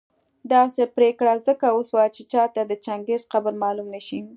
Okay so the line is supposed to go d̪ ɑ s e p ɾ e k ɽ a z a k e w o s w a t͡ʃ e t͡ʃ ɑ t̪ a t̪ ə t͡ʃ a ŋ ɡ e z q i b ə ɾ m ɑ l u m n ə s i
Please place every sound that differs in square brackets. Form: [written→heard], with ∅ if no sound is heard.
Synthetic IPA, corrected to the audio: d̪ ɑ s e p ɾ e k ɽ a z [a→ə] k [e→a] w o s w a t͡ʃ e t͡ʃ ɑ t̪ a [t̪→d̪] ə t͡ʃ a ŋ ɡ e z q [i→a] b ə ɾ m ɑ l u m n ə [s→ʃ] i